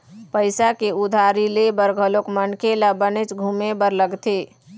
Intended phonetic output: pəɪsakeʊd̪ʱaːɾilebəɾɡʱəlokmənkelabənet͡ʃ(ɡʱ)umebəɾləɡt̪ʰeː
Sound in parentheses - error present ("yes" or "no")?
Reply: no